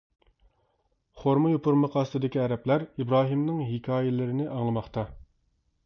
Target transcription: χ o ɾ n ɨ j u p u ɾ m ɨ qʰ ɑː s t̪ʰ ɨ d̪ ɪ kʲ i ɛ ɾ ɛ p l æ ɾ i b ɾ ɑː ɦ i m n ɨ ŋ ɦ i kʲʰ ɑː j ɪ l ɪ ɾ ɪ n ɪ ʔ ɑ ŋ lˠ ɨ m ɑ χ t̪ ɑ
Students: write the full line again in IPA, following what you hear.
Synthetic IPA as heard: χ o ɾ m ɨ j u p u ɾ m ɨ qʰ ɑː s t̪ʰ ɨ d̪ ɪ kʲ i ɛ ɾ ɛ p l æ ɾ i b ɾ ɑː ɦ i m n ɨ ŋ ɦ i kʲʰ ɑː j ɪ l ɪ ɾ ɪ n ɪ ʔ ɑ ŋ lˠ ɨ m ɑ χ t̪ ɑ

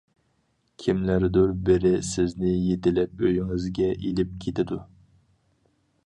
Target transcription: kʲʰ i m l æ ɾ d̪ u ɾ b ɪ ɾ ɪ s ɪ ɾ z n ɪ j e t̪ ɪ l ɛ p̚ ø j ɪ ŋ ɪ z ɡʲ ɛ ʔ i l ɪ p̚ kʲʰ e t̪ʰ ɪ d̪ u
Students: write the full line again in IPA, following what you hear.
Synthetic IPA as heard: kʲʰ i m l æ ɾ d̪ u ɾ b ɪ ɾ ɪ s ɪ z n ɪ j e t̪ ɪ l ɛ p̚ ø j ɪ ŋ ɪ z ɡʲ ɛ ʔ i l ɪ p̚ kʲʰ e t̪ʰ ɪ d̪ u

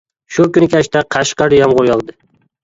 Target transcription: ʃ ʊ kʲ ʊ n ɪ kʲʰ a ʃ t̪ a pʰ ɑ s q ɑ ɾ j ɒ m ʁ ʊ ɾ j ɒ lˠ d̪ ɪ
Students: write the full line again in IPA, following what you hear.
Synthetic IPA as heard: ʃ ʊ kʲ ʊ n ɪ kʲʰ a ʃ t̪ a qʰ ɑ ʃ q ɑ ɾ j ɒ m ʁ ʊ ɾ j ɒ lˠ d̪ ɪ

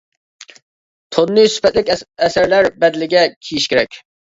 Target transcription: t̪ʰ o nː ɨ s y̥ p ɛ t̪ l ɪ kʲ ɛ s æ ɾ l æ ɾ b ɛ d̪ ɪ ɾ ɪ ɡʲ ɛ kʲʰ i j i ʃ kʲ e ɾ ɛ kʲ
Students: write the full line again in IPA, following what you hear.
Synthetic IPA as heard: t̪ʰ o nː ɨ s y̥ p ɛ t̪ l ɪ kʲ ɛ s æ ɾ l æ ɾ b ɛ d̪ ɪ l ɪ ɡʲ ɛ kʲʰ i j i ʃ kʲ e ɾ ɛ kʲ

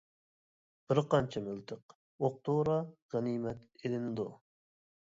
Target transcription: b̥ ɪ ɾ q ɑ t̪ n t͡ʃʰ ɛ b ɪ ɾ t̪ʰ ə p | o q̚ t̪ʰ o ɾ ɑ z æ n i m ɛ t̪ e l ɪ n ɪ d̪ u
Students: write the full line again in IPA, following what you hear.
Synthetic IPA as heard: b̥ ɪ ɾ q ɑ n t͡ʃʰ ɛ m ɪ l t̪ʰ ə q | o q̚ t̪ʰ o ɾ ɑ ʁ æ n i m ɛ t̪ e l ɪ n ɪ d̪ u

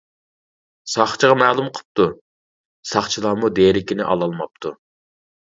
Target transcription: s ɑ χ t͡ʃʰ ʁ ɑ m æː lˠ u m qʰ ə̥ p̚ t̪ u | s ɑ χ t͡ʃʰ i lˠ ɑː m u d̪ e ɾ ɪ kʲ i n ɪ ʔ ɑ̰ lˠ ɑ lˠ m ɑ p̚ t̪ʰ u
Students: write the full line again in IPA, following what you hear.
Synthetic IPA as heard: s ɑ χ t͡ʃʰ ʁ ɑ m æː lˠ u m qʰ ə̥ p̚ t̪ u | s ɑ χ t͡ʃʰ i lˠ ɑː m u d̪ e ɾ ɪ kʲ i n ɪ ʔ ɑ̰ lˠ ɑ lˠ m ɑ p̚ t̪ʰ u

